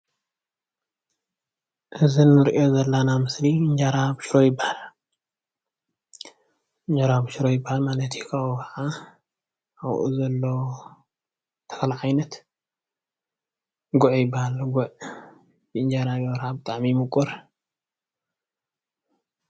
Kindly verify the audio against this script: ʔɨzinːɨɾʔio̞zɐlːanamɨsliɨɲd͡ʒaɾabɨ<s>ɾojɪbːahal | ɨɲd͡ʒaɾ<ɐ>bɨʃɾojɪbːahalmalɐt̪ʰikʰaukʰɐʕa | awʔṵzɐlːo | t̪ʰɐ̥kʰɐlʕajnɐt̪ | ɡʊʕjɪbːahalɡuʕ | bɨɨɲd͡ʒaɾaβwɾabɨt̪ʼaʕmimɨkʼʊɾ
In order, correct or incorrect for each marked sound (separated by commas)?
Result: incorrect, incorrect